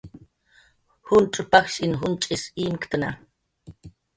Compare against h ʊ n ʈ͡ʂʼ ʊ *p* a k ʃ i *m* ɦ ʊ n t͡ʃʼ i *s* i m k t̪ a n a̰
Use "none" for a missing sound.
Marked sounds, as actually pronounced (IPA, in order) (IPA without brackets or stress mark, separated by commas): p, n, s